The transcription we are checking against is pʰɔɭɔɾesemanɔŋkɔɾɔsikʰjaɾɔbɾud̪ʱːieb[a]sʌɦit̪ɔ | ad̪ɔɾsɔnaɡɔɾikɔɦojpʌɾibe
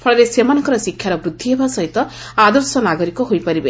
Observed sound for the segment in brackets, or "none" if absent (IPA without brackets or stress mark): a